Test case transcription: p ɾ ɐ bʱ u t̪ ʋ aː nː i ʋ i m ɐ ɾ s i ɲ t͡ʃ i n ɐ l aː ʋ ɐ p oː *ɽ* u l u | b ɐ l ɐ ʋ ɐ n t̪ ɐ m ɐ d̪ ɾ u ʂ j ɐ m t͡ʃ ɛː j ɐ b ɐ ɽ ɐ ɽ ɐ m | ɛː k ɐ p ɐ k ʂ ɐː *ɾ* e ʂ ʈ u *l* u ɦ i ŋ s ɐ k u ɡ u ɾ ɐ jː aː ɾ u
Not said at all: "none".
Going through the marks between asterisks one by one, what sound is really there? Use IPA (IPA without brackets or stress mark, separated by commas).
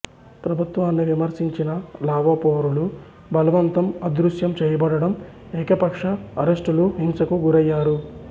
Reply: ɾ, ɾ, l